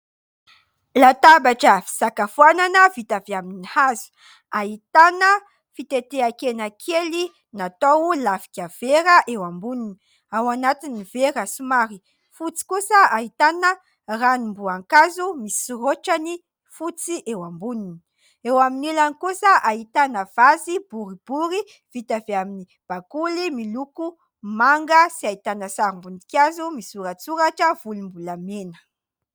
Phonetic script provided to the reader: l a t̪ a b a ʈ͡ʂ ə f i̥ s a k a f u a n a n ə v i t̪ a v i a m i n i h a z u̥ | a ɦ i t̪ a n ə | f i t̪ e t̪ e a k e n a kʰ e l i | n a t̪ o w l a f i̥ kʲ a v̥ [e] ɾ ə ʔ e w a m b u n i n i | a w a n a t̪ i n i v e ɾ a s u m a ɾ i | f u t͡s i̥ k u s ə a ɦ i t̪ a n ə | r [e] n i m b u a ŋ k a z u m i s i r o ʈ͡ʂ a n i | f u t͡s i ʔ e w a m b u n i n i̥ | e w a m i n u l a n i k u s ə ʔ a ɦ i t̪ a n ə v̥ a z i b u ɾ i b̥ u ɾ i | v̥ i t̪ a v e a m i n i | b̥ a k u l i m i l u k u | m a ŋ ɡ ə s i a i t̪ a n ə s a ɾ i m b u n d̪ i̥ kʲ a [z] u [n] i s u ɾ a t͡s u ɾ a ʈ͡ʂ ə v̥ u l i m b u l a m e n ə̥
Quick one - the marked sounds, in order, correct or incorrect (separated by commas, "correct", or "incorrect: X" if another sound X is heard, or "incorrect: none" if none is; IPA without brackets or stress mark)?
correct, incorrect: a, correct, incorrect: m